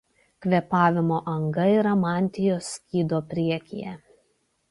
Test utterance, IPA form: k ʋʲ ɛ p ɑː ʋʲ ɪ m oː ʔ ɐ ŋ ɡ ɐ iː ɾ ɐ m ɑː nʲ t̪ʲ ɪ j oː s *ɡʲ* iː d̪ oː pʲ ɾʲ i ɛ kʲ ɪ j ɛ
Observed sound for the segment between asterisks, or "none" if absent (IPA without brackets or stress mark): kʲ